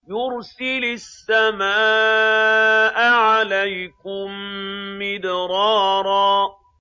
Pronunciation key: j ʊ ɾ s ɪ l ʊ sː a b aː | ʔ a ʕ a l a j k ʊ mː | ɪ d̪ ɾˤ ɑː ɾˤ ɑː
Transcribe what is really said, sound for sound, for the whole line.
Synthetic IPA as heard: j ʊ ɾ s ɪ l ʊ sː a m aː | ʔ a ʕ a l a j k ʊ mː | ɪ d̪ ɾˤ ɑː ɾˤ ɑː